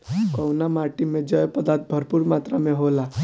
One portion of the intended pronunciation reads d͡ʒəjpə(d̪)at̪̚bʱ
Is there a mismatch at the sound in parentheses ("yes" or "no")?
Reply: no